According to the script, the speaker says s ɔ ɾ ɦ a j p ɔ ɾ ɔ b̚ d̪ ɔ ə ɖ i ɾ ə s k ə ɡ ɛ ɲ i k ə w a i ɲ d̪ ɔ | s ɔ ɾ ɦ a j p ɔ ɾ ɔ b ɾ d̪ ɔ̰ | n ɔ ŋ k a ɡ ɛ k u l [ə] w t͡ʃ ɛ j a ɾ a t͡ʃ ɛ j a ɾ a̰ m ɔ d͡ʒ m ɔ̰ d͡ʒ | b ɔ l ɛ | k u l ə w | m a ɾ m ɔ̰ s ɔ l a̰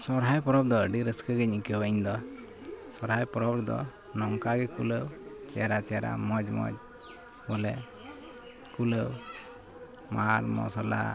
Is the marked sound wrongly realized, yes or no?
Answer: no